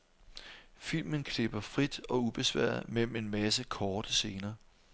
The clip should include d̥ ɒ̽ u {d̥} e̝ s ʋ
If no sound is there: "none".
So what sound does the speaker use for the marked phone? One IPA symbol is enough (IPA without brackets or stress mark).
b̥